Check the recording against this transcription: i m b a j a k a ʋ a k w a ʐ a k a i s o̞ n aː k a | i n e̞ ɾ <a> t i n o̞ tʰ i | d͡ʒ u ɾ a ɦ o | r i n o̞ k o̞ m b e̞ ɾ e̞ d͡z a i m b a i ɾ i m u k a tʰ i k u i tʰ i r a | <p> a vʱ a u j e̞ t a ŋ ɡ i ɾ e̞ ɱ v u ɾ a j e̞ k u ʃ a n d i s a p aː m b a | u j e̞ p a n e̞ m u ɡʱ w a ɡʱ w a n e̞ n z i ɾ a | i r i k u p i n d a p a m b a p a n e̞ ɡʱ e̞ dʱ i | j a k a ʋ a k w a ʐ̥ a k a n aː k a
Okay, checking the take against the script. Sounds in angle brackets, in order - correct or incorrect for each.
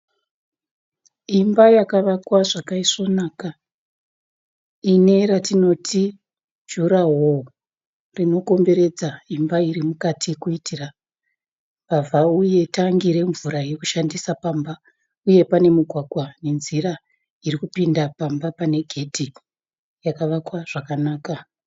correct, correct

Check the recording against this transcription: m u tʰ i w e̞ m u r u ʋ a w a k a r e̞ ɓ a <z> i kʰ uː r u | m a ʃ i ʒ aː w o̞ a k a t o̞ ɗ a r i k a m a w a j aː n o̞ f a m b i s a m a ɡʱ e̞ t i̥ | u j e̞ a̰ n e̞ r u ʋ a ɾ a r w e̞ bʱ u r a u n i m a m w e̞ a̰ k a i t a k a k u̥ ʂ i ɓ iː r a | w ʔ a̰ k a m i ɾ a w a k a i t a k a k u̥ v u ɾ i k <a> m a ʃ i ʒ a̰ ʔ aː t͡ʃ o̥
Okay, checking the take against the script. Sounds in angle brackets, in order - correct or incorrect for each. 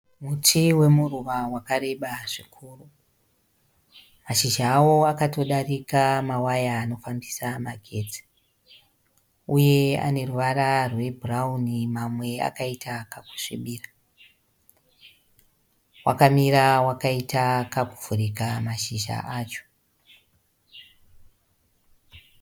incorrect, correct

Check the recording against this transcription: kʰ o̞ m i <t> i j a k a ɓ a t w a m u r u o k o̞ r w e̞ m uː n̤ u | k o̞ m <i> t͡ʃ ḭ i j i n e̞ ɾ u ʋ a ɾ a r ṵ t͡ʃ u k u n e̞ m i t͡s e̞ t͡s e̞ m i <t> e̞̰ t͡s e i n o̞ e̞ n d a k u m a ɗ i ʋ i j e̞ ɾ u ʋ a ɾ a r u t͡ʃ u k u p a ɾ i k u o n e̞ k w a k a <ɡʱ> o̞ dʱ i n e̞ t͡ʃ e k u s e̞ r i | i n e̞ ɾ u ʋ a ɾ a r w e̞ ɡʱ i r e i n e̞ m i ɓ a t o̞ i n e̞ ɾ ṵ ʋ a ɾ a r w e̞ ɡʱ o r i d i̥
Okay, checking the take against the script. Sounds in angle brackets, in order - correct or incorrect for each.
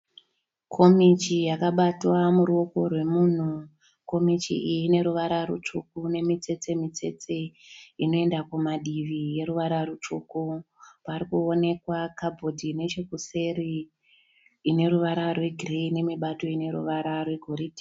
incorrect, correct, incorrect, incorrect

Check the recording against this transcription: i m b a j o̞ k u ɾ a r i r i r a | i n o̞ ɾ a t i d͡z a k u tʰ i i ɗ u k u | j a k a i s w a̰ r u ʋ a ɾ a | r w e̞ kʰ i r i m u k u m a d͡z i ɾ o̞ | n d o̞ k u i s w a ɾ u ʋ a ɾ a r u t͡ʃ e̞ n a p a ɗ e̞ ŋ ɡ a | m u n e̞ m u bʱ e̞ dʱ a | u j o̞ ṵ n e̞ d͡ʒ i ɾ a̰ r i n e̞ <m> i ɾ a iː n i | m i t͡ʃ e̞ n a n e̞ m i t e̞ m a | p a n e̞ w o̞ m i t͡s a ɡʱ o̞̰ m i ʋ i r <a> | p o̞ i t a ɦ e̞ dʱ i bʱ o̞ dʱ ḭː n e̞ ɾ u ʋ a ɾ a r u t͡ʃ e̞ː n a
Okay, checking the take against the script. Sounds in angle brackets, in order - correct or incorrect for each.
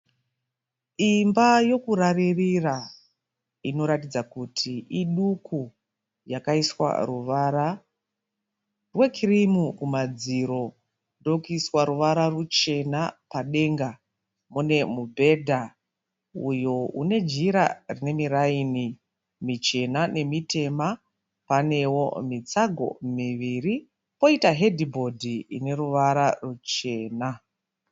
correct, incorrect

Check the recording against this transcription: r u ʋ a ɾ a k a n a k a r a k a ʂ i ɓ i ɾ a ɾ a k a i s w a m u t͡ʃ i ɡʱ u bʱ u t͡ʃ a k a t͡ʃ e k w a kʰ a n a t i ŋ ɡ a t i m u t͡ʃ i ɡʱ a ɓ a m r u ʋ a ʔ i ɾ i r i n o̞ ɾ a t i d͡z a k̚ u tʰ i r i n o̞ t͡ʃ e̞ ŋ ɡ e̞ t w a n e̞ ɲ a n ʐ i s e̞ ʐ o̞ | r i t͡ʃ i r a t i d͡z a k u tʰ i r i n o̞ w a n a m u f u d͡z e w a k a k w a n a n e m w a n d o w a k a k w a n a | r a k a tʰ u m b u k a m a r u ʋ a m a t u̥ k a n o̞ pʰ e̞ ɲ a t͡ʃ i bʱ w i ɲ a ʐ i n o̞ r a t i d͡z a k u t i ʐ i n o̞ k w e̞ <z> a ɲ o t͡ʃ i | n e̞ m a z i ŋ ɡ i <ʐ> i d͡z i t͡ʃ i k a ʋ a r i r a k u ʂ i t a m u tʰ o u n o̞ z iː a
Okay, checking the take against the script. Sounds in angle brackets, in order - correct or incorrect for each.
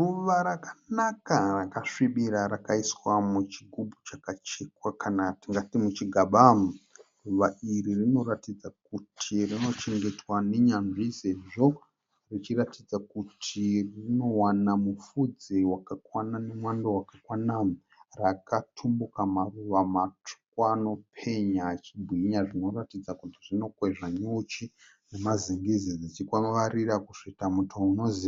incorrect, incorrect

